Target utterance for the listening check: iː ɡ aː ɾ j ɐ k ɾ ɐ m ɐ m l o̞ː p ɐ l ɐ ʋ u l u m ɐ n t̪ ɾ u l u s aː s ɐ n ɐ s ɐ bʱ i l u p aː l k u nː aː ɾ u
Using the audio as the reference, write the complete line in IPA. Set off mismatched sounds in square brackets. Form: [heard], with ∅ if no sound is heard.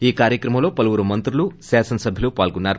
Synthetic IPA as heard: iː [k] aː ɾ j ɐ k ɾ ɐ m ɐ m l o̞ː p ɐ l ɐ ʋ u [ɾ] u m ɐ n t̪ ɾ u l u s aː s ɐ n ɐ s ɐ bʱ i l u p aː l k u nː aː ɾ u